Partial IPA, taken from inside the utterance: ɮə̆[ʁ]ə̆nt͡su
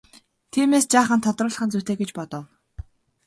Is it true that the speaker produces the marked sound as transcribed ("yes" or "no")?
no